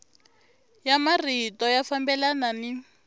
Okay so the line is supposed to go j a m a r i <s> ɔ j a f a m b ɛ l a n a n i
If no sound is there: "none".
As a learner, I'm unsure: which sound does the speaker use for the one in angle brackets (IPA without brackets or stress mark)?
t